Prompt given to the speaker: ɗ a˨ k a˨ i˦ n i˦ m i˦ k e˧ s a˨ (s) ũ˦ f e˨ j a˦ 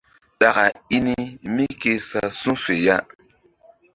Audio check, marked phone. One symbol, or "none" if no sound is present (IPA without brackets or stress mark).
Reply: s